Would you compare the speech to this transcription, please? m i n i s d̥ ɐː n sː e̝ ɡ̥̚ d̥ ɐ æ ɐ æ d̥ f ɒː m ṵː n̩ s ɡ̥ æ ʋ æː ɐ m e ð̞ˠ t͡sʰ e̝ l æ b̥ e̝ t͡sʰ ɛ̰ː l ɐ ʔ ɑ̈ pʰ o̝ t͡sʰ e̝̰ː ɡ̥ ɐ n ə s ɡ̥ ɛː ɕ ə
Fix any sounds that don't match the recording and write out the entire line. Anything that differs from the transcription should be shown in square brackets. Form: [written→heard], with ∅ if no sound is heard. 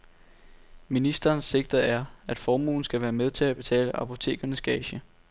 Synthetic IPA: m i n i s d̥ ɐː n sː e̝ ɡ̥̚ d̥ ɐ æ ɐ æ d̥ f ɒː m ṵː n̩ s ɡ̥ æ ʋ æː ɐ m e ð̞ˠ t͡sʰ e̝ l æ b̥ e̝ t͡sʰ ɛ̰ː l [ɐ→ə] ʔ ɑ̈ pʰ o̝ t͡sʰ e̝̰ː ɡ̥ ɐ n ə s ɡ̥ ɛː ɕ ə